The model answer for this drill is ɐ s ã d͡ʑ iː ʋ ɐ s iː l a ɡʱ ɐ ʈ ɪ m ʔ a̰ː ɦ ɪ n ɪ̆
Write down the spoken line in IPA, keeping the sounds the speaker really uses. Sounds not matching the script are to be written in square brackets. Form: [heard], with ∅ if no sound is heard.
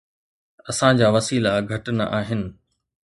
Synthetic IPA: ɐ s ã d͡ʑ [aː] ʋ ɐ s iː l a ɡʱ ɐ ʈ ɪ [n] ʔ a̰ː ɦ ɪ n ɪ̆